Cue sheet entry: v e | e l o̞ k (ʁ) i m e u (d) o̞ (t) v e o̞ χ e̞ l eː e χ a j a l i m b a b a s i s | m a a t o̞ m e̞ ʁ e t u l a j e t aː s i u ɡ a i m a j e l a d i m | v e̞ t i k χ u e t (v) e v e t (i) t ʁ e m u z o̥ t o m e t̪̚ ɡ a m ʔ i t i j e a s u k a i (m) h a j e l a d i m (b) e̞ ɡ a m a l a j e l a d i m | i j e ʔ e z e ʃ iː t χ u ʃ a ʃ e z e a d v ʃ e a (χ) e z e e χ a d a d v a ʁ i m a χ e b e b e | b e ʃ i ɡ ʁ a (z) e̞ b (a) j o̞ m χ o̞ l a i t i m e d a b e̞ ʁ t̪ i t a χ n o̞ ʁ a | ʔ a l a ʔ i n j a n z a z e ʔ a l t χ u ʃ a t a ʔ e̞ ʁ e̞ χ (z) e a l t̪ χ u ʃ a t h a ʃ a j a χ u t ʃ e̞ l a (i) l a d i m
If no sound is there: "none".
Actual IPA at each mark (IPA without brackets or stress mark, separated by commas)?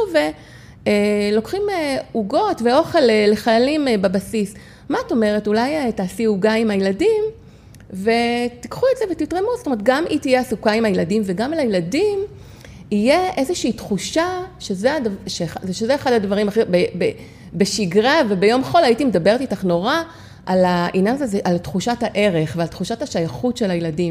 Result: χ, ɡ, t, z, i, m, v, ʃ, v, e, v, j